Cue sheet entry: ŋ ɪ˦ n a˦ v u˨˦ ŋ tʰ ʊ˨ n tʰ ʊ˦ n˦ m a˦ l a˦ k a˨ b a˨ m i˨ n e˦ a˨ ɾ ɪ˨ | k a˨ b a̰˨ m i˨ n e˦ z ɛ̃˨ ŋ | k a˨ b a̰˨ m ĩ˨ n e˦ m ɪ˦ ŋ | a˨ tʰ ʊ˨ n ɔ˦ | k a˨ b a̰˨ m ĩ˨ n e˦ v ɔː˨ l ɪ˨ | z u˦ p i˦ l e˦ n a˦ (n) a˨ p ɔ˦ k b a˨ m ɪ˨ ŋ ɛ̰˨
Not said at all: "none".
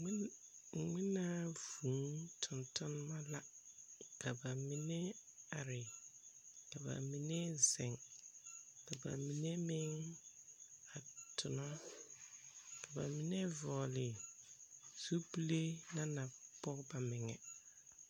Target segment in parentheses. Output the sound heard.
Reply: n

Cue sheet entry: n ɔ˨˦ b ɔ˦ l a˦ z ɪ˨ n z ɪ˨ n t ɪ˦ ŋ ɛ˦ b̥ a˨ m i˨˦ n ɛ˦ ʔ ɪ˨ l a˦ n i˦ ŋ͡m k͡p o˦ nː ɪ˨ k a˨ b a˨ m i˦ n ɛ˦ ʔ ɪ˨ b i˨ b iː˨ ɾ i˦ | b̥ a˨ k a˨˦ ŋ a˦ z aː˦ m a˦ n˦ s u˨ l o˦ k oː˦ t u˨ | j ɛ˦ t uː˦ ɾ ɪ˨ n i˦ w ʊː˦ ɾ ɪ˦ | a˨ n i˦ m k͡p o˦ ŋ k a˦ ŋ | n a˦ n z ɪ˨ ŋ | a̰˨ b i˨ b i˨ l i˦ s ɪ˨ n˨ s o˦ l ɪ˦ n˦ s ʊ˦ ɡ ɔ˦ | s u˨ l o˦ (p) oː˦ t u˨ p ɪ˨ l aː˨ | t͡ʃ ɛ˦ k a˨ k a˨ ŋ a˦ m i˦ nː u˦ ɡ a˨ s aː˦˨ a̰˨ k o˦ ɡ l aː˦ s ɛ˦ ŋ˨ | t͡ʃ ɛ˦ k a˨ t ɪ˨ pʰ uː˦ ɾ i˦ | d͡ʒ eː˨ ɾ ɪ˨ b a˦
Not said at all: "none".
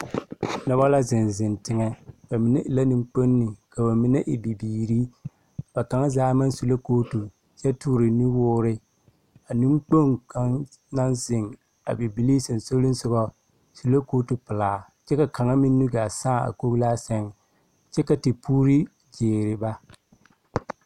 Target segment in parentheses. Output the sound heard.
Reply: k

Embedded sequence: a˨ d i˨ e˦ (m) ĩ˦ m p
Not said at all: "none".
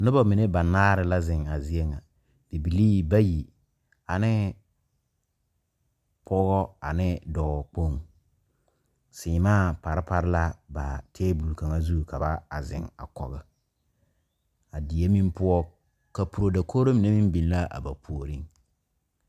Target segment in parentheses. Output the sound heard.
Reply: m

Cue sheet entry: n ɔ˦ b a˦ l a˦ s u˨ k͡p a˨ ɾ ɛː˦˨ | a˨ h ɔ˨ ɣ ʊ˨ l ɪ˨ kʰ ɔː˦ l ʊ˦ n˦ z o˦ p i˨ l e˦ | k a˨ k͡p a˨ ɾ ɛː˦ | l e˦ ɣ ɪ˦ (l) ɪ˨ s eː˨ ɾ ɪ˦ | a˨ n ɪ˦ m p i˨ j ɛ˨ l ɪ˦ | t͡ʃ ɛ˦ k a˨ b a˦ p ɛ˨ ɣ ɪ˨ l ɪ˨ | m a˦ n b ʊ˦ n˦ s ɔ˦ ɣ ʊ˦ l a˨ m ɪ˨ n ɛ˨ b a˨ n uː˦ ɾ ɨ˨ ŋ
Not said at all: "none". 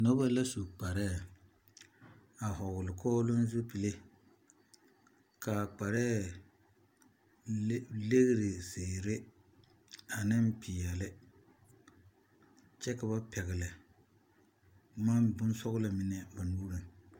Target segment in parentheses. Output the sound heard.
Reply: ɾ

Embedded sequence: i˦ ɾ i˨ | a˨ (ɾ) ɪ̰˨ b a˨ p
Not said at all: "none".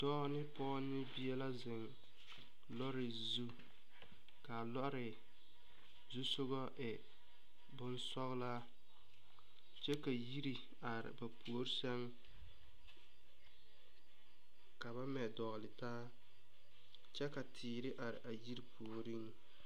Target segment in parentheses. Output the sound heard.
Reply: ɾ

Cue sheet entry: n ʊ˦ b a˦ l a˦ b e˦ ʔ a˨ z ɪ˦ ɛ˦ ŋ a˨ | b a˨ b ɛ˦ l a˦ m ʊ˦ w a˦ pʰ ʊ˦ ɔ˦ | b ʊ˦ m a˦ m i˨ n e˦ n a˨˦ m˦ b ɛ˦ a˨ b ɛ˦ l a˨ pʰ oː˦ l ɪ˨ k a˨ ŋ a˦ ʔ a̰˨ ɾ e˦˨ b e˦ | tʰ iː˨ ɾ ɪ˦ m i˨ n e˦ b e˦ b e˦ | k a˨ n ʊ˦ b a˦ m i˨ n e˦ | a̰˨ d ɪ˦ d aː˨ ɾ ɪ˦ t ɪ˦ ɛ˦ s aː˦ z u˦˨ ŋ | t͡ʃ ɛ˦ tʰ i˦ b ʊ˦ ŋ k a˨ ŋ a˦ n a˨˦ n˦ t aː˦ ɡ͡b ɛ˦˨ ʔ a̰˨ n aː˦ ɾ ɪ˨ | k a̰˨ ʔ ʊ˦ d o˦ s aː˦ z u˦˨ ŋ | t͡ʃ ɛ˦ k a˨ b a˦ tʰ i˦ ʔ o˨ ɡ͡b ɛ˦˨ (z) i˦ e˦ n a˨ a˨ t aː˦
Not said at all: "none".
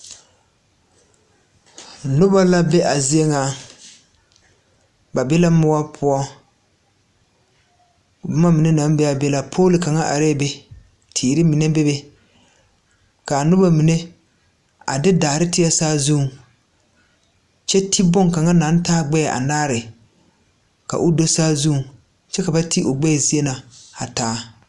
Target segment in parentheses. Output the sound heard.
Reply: z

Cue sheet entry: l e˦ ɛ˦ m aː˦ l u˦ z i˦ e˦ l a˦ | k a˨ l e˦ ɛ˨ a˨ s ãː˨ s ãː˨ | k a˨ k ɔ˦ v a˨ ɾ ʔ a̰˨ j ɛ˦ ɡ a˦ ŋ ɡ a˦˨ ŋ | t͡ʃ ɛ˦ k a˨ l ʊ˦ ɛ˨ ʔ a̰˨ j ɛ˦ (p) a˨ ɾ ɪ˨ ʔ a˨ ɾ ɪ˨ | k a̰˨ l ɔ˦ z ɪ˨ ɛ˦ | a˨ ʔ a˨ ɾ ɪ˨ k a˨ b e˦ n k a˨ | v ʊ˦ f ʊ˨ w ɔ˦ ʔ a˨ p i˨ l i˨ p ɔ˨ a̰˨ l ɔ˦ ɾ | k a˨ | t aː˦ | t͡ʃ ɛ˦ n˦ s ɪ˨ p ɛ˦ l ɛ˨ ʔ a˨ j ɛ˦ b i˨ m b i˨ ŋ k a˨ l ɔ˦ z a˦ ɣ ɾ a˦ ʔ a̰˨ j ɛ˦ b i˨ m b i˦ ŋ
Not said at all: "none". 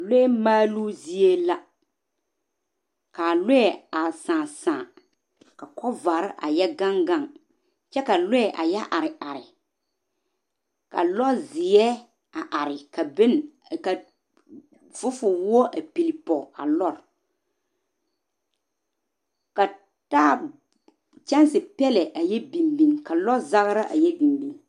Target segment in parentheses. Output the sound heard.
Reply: ʔ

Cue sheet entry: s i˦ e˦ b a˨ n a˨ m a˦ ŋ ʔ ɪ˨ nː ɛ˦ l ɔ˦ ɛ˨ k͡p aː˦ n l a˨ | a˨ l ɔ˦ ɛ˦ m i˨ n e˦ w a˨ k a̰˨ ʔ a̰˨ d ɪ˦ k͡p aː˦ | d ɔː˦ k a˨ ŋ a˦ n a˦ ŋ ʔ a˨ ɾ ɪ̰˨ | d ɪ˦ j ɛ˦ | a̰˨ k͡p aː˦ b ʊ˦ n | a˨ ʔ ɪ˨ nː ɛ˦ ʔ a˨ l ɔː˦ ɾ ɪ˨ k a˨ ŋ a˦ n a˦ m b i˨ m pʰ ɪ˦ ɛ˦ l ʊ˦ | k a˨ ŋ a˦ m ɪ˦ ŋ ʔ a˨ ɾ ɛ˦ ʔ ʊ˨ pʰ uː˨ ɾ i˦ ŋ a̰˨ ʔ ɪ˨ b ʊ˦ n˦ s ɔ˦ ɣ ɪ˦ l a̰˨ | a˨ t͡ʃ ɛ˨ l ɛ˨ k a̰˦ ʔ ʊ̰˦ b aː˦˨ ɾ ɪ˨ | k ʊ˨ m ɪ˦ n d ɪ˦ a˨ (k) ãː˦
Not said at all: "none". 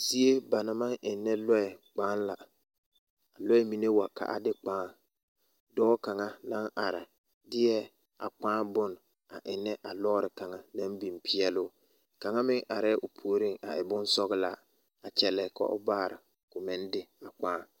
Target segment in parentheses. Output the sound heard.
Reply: k͡p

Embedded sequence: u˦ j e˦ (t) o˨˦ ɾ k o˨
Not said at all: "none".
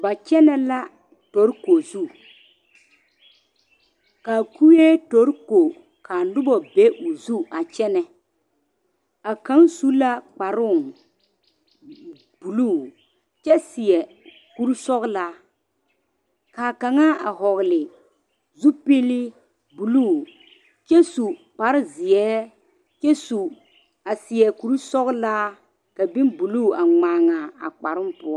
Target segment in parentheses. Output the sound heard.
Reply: t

